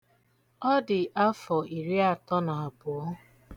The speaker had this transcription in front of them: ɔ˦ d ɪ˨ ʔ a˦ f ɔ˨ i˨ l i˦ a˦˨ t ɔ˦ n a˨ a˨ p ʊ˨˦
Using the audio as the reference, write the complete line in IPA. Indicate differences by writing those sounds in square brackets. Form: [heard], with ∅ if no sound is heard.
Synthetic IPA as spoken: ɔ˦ d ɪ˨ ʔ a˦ f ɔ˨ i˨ [ɾ] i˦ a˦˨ t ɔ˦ n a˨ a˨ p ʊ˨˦

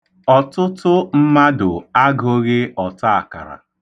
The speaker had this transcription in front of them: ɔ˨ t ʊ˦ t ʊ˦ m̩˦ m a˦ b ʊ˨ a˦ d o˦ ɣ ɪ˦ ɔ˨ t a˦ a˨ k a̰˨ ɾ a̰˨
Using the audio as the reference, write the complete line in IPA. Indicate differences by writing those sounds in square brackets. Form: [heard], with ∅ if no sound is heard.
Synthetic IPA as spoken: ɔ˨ t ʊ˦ t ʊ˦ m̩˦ m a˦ [d] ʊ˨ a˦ [ɡ] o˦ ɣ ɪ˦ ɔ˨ t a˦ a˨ k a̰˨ ɾ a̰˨

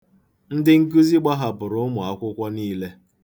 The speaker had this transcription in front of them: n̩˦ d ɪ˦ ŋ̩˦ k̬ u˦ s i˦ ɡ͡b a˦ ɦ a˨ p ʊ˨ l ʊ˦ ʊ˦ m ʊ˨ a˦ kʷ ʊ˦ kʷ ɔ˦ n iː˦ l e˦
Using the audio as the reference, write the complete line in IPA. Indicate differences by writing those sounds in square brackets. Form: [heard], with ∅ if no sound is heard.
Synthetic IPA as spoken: n̩˦ d ɪ˦ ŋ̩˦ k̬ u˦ [z] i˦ ɡ͡b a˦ ɦ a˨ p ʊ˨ [ɾ] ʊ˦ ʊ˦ m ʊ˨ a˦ kʷ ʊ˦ kʷ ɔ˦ n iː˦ l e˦

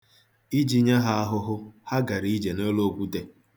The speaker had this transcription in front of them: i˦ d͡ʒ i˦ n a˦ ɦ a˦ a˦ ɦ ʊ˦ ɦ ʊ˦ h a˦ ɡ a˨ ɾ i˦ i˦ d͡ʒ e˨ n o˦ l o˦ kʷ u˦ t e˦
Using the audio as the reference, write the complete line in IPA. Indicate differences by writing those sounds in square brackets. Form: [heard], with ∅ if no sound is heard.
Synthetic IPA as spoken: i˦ d͡ʒ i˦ [ɲ] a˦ ɦ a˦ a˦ ɦ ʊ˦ ɦ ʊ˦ h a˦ ɡ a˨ ɾ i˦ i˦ d͡ʒ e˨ n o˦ l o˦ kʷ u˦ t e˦

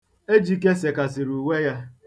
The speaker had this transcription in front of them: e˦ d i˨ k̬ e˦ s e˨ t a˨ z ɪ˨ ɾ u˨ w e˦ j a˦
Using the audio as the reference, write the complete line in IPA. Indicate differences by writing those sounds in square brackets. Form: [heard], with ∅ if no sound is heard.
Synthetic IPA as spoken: e˦ [d͡ʒ] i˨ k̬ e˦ s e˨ [k] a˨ [s] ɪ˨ ɾ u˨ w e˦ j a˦

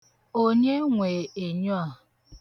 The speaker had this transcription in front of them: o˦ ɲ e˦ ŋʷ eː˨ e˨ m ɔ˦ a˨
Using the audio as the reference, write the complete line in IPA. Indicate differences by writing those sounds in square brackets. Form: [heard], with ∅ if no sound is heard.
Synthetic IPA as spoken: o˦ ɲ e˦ ŋʷ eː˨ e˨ [ɲ] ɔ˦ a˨

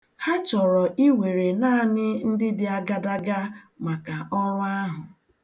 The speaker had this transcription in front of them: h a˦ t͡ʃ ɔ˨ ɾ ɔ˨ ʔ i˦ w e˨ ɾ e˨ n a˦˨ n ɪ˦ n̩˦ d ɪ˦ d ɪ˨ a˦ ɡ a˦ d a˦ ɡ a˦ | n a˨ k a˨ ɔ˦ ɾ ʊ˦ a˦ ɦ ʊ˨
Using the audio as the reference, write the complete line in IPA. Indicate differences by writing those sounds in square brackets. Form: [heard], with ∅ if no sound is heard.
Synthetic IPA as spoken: h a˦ t͡ʃ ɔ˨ ɾ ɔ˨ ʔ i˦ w e˨ ɾ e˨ n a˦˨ n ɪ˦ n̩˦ d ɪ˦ d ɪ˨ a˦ ɡ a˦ d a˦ ɡ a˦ | [m] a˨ k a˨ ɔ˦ ɾ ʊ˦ a˦ ɦ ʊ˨

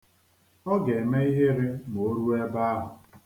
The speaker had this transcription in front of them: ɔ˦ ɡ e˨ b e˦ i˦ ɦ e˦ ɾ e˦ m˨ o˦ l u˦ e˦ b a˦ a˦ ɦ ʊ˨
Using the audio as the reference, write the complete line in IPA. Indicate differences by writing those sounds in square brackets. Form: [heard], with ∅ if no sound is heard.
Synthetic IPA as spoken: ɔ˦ ɡ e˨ [m] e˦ i˦ ɦ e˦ ɾ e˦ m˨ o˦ [ɾ] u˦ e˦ b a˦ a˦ ɦ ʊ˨

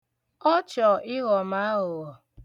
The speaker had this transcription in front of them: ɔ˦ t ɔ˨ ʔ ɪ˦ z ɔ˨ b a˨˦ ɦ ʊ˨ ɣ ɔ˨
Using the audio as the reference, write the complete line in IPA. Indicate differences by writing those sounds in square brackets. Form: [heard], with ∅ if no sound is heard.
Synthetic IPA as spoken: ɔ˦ [t͡ʃ] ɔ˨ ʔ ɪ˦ [ɣ] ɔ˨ [m] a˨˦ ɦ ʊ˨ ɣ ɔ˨

